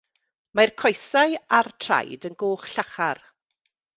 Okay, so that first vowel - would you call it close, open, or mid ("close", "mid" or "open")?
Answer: open